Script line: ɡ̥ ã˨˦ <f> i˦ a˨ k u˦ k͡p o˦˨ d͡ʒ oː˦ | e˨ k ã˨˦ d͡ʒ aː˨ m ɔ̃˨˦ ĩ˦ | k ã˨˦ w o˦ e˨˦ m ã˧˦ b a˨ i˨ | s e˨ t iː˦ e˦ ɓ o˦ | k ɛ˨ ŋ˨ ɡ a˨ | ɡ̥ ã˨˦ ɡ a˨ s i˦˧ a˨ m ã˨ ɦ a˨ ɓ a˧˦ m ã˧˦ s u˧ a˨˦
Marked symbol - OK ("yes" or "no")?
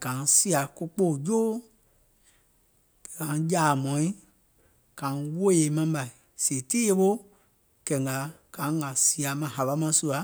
no